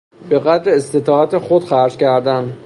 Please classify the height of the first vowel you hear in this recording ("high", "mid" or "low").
mid